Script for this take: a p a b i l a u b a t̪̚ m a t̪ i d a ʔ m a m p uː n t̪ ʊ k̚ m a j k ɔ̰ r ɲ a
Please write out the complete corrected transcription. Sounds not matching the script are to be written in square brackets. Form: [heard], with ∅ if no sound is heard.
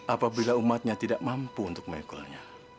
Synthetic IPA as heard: a p a b i l a u [m] a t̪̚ [ɲ] a t̪ i d a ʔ m a m p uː n t̪ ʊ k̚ m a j k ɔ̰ [l] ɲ a